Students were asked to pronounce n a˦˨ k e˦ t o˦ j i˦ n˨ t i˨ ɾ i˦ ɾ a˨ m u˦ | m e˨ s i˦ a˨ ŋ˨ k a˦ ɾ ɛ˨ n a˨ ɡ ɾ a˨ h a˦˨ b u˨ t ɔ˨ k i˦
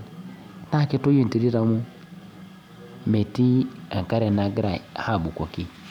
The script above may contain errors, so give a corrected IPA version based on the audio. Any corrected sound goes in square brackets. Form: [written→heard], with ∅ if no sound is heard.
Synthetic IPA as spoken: n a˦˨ k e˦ t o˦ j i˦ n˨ t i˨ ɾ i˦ ɾ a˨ m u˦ | m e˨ [s→t] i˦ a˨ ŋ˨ k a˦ ɾ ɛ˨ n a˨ ɡ ɾ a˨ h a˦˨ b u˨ [t→k] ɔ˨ k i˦